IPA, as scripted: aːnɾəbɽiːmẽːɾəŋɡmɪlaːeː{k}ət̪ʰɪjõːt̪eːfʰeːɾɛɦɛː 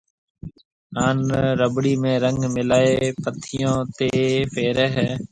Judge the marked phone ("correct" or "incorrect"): incorrect